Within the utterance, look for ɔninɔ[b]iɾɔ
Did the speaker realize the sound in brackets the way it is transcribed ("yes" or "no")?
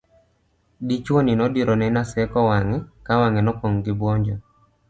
no